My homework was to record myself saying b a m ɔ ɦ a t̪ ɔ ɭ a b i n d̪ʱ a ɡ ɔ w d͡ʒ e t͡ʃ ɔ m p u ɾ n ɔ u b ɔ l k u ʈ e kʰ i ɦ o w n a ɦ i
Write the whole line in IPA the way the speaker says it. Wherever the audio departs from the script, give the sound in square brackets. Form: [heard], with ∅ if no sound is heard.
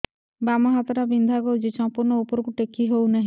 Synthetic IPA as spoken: b a m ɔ ɦ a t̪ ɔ [ɾ] a b i n d̪ʱ a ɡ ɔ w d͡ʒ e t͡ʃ ɔ m p u ɾ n ɔ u [p] ɔ [ɾ] k u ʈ e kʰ i ɦ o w n a ɦ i